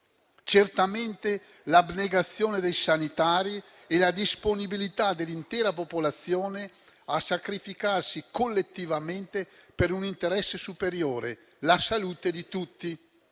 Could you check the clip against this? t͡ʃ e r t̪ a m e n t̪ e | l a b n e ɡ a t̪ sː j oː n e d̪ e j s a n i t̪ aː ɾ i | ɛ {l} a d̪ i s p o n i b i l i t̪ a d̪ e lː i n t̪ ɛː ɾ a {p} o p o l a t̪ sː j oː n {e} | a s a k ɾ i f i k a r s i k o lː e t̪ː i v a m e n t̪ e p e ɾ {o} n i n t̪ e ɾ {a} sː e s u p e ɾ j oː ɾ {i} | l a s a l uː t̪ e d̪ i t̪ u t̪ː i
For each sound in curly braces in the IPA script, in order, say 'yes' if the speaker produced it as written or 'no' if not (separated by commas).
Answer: yes, yes, yes, no, no, no